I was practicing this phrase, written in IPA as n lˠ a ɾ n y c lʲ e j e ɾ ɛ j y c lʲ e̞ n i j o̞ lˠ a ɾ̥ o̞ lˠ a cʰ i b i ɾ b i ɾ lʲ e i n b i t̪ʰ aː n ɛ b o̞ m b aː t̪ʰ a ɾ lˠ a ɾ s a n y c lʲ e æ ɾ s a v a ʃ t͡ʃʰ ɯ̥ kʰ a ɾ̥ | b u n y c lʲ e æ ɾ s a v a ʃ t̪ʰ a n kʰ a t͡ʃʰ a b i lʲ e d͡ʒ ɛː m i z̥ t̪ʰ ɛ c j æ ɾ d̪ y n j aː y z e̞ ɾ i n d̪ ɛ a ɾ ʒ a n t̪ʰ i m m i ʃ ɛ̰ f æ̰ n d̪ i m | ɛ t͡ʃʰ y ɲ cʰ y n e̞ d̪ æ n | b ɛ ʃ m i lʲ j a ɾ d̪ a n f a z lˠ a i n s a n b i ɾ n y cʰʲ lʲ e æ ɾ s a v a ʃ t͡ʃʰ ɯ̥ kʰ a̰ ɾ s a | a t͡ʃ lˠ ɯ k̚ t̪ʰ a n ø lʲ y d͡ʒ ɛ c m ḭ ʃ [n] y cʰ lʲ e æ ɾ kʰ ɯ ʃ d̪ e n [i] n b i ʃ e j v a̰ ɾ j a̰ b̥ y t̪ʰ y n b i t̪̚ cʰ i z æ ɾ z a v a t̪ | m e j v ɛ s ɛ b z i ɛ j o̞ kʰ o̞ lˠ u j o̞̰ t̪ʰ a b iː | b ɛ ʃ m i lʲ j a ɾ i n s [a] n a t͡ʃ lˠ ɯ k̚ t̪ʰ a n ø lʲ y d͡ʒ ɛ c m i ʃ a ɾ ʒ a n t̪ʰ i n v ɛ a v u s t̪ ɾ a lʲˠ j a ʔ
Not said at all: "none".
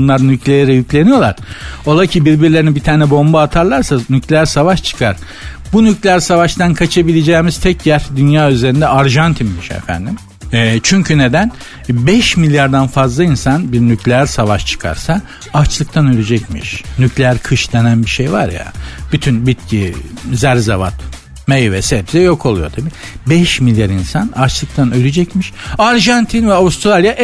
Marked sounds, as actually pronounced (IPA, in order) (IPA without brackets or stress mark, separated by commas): n, æ, a